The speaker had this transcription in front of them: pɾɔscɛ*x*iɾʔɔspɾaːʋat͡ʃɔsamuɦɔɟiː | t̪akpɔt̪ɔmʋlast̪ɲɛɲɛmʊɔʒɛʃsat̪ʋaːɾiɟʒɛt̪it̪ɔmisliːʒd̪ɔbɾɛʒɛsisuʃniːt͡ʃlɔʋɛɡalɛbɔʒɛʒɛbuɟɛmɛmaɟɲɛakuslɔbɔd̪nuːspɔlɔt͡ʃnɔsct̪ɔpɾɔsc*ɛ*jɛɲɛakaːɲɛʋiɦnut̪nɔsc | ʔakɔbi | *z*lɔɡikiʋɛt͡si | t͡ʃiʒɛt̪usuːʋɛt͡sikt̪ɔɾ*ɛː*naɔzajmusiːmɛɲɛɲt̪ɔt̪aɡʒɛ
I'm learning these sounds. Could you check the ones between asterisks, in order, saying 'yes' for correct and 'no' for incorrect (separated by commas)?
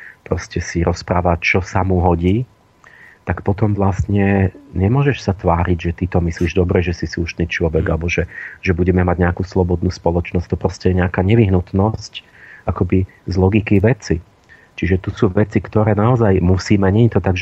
no, yes, yes, yes